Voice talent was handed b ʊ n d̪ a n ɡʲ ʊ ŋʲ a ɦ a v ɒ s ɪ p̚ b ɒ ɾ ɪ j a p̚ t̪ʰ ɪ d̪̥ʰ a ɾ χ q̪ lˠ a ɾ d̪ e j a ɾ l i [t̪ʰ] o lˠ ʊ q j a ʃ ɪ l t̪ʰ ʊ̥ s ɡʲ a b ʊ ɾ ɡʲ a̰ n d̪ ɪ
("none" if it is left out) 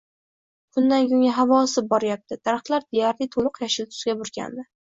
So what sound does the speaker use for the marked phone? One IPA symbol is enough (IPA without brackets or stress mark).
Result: t̪ʰ